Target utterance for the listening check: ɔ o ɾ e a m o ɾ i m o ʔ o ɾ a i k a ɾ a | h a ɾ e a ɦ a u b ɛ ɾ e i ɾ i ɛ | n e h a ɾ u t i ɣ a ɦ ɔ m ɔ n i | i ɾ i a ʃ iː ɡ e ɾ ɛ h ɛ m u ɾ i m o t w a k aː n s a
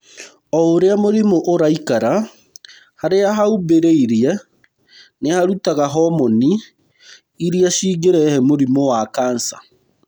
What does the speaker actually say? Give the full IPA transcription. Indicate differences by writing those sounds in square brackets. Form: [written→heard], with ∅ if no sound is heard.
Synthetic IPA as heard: ɔ o ɾ e a m o ɾ i m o ʔ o ɾ a i k a ɾ a | h a ɾ e a ɦ a u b [ɛ→e] ɾ e i ɾ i ɛ | n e h a ɾ u t [i→a] ɣ a ɦ ɔ m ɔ n i | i ɾ i a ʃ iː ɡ e ɾ ɛ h ɛ m [u→o] ɾ i m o [t→∅] w a k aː n s a

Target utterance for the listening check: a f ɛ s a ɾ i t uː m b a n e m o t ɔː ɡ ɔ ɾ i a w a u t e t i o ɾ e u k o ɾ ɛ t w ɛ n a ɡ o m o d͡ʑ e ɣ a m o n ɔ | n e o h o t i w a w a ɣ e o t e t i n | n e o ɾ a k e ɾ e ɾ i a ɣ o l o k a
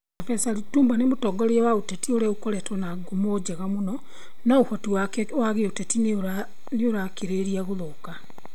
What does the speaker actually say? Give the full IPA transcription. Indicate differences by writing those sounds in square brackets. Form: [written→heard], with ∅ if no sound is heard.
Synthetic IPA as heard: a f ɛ s a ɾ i t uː m b a n e m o t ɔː ɡ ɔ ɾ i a w a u t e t i o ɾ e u k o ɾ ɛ t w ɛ n a ɡ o m o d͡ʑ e ɣ a m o n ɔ | n [e→a] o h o t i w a w a ɣ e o t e t i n | n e o ɾ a k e ɾ e ɾ i a ɣ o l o k a

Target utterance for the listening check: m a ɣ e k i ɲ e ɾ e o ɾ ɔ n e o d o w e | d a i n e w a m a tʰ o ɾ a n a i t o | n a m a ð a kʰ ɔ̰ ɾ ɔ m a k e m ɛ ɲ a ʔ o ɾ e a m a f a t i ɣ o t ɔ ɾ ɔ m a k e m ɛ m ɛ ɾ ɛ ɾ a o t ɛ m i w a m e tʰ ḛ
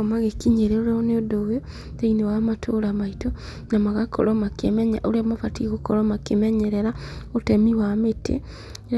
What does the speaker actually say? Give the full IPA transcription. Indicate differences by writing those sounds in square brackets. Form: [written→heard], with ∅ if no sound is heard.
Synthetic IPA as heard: m a ɣ e k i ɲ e ɾ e o ɾ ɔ n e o d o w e | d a i n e w a m a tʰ o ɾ a [n→m] a i t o | n a m a [ð→ɣ] a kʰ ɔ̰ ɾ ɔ m a k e m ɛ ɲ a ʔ o ɾ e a m a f a t i ɣ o [t→k] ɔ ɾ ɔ m a k e m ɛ [m→ɲ] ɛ ɾ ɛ ɾ a o t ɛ m i w a m e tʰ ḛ

